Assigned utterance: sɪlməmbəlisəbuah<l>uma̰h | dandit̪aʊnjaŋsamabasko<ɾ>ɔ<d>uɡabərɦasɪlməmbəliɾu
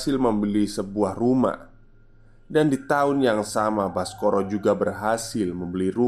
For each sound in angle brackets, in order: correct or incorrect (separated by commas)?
incorrect, correct, incorrect